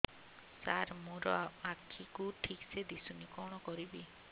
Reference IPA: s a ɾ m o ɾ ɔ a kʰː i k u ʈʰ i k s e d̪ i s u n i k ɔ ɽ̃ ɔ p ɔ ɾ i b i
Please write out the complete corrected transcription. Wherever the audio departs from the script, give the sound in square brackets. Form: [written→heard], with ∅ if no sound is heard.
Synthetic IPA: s a ɾ m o ɾ ɔ a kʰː i k u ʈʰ i k s e d̪ i s u n i k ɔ ɽ̃ ɔ [p→k] ɔ ɾ i b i